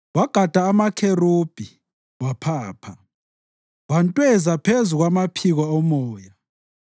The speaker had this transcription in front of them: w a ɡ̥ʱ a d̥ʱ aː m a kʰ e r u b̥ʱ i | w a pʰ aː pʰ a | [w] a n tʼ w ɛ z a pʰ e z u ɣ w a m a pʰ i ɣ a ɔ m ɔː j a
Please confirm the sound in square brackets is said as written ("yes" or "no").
yes